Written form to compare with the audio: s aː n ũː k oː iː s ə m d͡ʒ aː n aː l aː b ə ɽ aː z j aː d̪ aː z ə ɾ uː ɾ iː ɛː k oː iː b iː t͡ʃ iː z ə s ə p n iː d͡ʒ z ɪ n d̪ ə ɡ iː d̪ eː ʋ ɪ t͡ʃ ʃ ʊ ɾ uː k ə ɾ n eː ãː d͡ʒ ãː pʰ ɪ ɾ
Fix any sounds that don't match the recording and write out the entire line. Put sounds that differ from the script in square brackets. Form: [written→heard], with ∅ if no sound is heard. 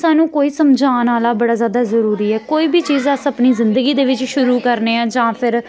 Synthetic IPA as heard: s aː n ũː k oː iː s ə m d͡ʒ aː n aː l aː b ə ɽ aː z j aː d̪ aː z ə ɾ uː ɾ iː ɛː k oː iː b iː t͡ʃ iː z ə s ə p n iː [d͡ʒ→∅] z ɪ n d̪ ə ɡ iː d̪ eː ʋ ɪ t͡ʃ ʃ ʊ ɾ uː k ə ɾ n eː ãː d͡ʒ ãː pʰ ɪ ɾ